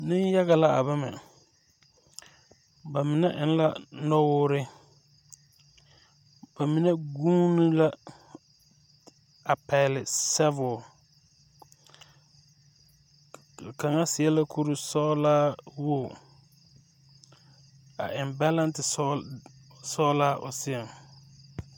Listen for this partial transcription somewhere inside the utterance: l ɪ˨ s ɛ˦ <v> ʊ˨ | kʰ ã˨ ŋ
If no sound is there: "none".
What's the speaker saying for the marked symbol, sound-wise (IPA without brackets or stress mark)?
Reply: v